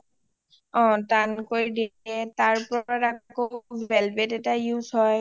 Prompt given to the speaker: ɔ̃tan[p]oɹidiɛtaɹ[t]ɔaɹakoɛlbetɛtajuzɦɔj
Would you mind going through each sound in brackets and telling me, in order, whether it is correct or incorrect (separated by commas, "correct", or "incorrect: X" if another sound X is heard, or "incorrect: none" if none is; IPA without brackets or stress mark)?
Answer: incorrect: k, incorrect: p